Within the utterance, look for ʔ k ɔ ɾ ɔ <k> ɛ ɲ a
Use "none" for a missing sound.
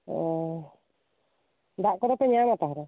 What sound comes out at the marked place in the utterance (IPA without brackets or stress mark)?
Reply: p